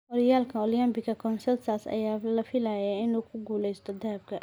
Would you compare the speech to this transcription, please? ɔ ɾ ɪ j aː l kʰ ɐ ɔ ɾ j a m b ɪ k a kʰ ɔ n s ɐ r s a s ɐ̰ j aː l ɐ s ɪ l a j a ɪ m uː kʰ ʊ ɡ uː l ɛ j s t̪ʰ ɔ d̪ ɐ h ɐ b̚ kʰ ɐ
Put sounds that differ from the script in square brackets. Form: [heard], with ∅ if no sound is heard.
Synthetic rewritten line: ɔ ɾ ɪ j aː l kʰ ɐ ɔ [l] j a m b ɪ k [ɐ] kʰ ɔ n s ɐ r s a s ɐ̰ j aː l ɐ [f] ɪ l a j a ɪ [n] uː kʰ ʊ ɡ uː l ɛ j s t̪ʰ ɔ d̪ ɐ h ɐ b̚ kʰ ɐ